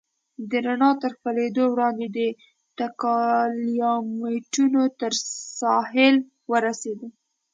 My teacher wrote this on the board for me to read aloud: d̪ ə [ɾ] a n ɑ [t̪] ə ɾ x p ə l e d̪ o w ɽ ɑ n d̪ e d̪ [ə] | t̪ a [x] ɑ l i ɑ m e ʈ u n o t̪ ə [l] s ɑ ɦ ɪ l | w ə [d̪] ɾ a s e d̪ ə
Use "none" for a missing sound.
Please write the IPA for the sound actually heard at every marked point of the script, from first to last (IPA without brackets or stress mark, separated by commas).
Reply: ɾ, t̪, ə, k, ɾ, none